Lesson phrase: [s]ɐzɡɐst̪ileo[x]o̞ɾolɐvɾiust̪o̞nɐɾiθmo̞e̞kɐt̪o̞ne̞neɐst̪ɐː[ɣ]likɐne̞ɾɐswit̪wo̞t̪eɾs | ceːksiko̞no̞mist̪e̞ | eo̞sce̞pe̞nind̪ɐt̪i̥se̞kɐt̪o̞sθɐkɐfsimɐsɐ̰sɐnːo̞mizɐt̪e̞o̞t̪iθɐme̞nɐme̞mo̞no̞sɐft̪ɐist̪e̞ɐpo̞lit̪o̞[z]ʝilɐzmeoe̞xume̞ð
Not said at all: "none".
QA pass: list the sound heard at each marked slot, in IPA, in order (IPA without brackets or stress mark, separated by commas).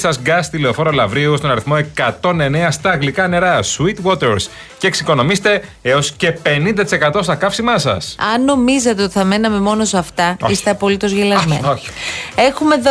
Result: s, f, ɣ, z